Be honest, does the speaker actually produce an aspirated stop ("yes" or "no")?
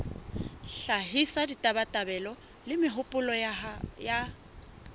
no